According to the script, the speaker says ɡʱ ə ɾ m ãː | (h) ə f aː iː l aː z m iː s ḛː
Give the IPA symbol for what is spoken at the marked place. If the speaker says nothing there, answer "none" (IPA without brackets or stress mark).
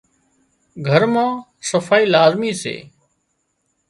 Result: s